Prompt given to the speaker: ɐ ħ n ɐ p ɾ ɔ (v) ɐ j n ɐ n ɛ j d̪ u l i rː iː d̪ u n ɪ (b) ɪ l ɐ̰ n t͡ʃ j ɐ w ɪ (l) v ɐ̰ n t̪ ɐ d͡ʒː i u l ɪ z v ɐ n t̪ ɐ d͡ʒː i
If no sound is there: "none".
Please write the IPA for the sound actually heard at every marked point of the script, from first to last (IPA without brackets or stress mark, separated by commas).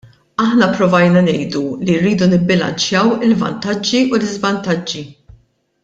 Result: v, bː, l